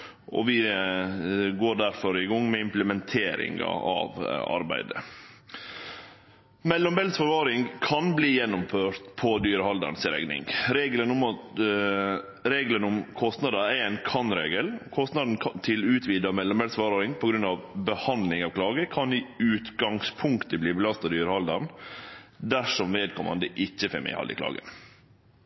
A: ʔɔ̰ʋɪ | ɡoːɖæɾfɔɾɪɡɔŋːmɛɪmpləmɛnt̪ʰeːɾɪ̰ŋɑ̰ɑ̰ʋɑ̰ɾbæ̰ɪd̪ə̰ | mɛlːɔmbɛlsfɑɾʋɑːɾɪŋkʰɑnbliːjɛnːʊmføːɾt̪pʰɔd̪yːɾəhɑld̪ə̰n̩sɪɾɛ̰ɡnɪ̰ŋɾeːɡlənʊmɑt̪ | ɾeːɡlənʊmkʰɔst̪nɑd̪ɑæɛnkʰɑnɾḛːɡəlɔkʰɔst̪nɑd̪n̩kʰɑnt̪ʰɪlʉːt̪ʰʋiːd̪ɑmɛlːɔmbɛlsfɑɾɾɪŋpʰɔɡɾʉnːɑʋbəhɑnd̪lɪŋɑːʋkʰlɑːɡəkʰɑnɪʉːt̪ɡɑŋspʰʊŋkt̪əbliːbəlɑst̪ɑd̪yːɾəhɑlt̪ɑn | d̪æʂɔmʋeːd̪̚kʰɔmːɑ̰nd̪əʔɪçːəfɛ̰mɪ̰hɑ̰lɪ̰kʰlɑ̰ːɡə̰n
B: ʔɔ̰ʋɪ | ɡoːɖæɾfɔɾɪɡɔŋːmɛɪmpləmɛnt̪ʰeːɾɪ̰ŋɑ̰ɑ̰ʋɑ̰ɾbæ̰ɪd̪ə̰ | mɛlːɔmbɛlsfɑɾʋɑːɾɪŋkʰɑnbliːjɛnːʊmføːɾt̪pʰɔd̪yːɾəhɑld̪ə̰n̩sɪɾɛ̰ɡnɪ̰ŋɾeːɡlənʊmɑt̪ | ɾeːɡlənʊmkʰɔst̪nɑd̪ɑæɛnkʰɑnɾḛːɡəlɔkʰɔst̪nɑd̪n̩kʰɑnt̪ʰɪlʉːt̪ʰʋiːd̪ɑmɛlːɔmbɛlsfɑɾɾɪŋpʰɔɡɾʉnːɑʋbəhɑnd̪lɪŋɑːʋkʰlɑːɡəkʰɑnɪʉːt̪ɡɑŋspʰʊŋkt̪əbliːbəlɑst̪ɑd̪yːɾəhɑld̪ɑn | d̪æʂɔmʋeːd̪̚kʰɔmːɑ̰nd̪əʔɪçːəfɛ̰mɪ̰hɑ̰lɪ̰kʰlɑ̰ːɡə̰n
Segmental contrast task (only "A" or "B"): B